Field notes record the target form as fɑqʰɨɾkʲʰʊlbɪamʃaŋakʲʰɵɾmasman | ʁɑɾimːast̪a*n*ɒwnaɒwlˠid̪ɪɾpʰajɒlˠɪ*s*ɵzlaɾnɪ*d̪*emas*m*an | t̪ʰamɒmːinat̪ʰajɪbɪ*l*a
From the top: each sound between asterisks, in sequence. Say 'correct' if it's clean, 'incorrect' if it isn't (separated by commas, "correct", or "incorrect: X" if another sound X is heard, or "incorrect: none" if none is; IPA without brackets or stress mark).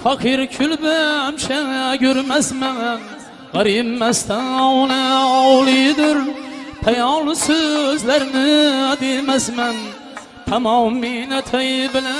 correct, correct, correct, correct, correct